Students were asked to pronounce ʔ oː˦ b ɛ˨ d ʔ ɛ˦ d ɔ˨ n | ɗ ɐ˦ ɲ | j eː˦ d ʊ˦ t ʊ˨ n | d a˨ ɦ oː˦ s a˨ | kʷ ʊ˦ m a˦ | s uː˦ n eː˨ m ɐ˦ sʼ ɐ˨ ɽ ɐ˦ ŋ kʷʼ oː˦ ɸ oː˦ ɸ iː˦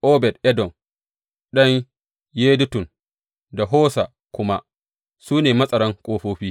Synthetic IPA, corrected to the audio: ʔ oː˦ b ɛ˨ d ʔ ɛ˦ d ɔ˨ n | ɗ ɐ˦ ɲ | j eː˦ d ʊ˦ t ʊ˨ n | d a˨ ɦ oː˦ s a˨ | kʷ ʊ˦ m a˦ | s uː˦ n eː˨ m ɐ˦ sʼ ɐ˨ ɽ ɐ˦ ŋ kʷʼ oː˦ ɸ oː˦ ɸ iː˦

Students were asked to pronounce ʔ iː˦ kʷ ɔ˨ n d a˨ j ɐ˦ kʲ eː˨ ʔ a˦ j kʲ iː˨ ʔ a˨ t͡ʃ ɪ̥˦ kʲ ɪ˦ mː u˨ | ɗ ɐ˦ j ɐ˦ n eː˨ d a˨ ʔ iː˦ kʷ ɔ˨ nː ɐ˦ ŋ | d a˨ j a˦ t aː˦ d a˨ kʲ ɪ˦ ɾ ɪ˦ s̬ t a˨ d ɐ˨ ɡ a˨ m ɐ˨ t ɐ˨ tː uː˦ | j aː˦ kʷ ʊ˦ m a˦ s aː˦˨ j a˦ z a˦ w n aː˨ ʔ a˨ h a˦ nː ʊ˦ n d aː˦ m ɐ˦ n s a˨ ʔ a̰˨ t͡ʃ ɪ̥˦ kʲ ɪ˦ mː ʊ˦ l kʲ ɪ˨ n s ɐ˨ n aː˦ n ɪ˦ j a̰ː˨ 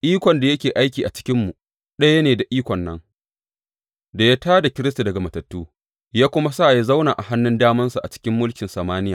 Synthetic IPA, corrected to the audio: ʔ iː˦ kʷ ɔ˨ n d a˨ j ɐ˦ kʲ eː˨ ʔ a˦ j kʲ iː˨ ʔ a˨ t͡ʃ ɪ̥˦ kʲ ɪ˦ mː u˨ | ɗ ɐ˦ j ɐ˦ n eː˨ d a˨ ʔ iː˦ kʷ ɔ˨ nː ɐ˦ ŋ | d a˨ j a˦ t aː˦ d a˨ kʲ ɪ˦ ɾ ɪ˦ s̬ t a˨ d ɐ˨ ɡ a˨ m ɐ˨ t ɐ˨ tː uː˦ | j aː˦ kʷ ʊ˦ m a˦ s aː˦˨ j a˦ z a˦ w n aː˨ ʔ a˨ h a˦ nː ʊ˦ n d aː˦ m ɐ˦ n s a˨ ʔ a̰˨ t͡ʃ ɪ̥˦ kʲ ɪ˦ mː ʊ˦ l kʲ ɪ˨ n s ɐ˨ m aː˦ n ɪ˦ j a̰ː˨

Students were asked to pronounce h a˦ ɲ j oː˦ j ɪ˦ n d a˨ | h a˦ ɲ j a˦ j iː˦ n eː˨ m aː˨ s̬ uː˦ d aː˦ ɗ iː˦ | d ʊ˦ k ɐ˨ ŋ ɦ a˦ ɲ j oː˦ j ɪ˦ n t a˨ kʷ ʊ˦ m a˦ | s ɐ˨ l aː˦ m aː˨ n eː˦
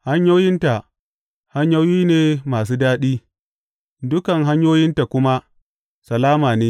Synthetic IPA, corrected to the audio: h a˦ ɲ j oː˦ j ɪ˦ n t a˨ | h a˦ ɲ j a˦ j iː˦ n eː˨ m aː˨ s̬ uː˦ d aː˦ ɗ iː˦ | d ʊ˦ k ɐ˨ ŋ ɦ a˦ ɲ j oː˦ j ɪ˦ n t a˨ kʷ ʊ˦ m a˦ | s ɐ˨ l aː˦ m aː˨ n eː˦

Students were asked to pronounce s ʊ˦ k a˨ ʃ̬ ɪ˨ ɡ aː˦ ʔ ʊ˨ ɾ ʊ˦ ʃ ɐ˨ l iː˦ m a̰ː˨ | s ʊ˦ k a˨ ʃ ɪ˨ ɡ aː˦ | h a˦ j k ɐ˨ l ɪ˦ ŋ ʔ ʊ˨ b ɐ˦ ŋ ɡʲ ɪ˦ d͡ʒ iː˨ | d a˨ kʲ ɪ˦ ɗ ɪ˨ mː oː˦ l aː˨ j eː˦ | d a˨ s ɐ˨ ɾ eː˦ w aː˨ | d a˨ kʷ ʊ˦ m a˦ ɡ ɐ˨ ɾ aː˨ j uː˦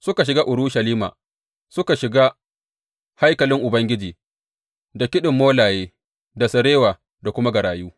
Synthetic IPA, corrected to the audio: s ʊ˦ k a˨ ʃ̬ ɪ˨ ɡ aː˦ ʔ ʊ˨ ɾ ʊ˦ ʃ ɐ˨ l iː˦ m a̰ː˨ | s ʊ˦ k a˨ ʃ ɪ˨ ɡ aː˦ | h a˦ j k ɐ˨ l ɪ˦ ŋ ʔ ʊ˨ b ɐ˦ ŋ ɡʲ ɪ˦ d͡ʒ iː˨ | d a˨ kʲ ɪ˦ ɗ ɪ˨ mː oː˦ l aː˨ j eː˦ | d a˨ s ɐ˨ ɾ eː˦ w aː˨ | d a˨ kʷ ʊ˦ m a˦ ɡ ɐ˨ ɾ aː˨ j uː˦

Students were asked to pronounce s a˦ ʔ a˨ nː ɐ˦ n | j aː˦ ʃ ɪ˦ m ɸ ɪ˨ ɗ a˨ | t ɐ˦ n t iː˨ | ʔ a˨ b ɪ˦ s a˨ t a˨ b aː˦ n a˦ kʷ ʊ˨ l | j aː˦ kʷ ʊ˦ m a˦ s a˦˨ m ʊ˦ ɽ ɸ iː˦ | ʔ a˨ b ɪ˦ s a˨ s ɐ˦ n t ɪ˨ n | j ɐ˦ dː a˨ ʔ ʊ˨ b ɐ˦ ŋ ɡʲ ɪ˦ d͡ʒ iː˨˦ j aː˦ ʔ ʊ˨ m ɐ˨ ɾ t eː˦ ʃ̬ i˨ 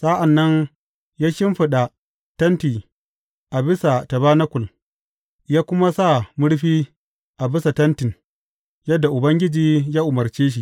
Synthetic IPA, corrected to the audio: s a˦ ʔ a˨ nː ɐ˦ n | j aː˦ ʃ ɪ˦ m ɸ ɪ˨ ɗ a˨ | t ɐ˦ n t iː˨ | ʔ a˨ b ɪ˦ s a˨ t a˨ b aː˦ n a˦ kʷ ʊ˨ l | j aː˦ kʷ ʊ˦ m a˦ s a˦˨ m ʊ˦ ɽ ɸ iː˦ | ʔ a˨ b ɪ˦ s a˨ t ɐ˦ n t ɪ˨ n | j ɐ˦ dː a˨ ʔ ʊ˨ b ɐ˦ ŋ ɡʲ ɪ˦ d͡ʒ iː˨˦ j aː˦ ʔ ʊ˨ m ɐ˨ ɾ t͡ʃ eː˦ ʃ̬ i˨

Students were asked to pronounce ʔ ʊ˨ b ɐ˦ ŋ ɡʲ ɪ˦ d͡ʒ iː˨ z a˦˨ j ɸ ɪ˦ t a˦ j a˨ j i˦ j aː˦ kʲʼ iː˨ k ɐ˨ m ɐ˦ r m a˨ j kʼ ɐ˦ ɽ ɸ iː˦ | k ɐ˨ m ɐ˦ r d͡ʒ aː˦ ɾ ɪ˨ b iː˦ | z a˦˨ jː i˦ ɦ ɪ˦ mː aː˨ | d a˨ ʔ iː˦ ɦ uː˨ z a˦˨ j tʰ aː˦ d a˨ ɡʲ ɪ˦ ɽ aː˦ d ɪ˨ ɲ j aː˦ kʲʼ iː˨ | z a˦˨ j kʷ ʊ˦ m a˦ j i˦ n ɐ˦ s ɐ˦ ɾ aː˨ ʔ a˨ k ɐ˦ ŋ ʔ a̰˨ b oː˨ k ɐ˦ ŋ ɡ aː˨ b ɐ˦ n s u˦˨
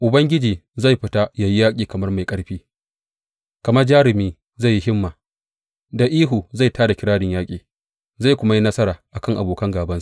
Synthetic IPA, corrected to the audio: ʔ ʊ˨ b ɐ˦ ŋ ɡʲ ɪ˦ d͡ʒ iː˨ z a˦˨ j ɸ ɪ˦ t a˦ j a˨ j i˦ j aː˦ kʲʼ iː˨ k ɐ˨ m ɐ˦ r m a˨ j kʼ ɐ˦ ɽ ɸ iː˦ | k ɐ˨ m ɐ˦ r d͡ʒ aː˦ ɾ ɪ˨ m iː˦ | z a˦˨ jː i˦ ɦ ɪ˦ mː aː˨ | d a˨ ʔ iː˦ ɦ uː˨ z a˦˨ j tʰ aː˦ d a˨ kʲ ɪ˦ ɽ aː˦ d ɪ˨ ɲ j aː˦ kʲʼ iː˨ | z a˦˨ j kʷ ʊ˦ m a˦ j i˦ n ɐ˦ s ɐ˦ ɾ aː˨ ʔ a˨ k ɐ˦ ŋ ʔ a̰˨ b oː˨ k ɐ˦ ŋ ɡ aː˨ b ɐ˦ n s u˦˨

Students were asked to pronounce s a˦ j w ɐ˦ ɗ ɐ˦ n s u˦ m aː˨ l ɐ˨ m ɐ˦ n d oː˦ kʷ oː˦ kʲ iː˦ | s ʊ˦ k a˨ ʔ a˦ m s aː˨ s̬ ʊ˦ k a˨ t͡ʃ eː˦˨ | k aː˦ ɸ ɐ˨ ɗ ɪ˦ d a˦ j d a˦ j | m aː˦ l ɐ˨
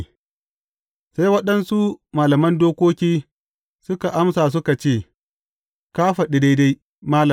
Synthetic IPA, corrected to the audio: s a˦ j w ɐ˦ ɗ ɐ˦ n s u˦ m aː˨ l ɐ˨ m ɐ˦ n d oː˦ kʷ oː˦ kʲ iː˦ | s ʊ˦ k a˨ ʔ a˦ m s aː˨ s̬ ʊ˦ k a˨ t͡ʃ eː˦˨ | k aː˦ ɸ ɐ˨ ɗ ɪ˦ d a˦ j d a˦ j | m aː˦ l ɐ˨

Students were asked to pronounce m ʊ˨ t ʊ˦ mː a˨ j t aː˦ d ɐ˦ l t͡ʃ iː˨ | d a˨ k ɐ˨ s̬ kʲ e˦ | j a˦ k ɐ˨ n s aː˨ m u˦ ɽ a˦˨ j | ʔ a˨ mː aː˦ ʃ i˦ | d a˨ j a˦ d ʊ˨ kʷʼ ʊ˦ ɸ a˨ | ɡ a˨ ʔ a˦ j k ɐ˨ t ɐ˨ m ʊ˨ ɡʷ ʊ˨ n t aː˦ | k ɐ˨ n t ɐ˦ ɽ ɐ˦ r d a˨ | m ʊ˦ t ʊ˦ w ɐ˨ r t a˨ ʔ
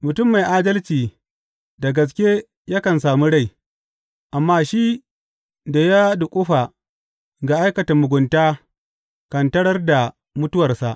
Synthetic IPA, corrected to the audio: m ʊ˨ t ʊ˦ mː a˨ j ʔ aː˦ d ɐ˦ l t͡ʃ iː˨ | d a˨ ɡ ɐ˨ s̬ kʲ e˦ | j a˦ k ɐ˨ n s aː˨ m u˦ ɽ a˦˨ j | ʔ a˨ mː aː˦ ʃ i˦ | d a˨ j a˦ d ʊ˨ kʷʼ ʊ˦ ɸ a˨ | ɡ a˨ ʔ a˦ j k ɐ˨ t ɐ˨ m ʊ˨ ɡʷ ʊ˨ n t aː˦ | k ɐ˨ n t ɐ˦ ɽ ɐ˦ r d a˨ | m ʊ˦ t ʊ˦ w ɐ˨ r s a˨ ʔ

